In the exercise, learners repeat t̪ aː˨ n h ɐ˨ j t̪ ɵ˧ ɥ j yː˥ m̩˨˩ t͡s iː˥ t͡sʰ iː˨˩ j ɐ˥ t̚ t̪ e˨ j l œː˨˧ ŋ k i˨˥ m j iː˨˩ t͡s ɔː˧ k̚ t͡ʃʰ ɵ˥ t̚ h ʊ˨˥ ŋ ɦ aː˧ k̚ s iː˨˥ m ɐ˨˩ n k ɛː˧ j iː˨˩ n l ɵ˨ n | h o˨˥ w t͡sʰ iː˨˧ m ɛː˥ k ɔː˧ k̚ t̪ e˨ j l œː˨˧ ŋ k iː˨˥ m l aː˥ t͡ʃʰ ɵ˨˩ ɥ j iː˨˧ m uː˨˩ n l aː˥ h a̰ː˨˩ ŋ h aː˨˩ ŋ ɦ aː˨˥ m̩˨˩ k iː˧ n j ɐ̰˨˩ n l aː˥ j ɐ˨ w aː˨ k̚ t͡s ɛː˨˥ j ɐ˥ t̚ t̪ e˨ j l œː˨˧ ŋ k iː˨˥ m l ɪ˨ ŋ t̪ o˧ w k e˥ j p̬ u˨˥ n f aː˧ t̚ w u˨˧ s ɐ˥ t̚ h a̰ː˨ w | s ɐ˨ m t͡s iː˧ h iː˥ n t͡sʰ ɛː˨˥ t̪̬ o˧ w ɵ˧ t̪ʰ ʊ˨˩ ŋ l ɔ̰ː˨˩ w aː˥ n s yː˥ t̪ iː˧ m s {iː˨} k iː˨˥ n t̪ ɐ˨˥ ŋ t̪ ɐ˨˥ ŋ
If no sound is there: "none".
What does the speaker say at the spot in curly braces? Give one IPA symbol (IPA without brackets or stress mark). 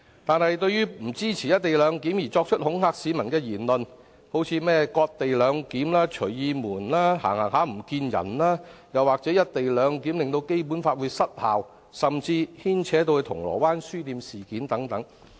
iː˨